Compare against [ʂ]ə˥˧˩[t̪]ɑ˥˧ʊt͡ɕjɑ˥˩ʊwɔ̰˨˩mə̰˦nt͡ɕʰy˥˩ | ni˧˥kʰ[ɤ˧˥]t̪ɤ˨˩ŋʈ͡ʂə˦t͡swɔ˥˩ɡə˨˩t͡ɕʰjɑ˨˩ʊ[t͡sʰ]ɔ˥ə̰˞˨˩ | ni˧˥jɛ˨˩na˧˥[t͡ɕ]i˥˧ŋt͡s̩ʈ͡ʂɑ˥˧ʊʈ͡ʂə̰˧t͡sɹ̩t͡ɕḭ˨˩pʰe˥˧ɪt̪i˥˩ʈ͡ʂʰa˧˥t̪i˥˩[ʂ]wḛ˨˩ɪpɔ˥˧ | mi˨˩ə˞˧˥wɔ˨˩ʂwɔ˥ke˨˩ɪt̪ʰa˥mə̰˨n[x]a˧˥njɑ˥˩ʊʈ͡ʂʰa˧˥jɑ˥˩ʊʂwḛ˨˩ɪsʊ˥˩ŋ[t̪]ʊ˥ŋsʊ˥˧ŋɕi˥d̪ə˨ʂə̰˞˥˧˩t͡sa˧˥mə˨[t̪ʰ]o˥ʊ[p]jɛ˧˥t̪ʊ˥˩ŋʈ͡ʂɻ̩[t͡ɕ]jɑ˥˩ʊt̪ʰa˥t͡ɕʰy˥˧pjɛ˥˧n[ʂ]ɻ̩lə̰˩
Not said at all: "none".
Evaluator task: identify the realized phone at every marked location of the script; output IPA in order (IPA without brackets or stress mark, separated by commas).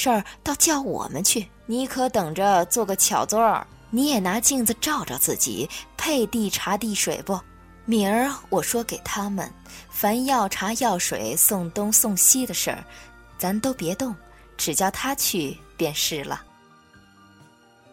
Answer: ʂ, t̪, ɤ˧˥, t͡s, t͡ɕ, ʂ, f, t̪, t̪, p, t͡ɕ, ʂ